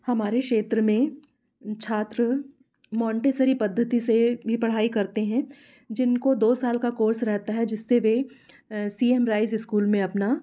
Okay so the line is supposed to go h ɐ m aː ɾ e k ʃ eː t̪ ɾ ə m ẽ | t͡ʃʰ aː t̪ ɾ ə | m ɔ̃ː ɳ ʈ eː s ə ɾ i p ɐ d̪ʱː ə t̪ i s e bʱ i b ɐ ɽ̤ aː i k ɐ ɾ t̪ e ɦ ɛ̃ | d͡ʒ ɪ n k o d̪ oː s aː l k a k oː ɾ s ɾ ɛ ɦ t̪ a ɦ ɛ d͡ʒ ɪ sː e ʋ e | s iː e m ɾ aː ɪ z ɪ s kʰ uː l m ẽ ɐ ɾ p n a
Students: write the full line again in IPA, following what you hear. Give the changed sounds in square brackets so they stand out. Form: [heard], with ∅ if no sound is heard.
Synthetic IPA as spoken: h ɐ m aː ɾ e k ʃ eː t̪ ɾ ə m ẽ | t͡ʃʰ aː t̪ ɾ ə | m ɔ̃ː ɳ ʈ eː s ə ɾ i p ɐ d̪ʱː ə t̪ i s e bʱ i [p] ɐ ɽ̤ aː i k ɐ ɾ t̪ e ɦ ɛ̃ | d͡ʒ ɪ n k o d̪ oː s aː l k a k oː ɾ s ɾ ɛ ɦ t̪ a ɦ ɛ d͡ʒ ɪ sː e ʋ e | s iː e m ɾ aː ɪ z ɪ s [k] uː l m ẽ ɐ [∅] p n a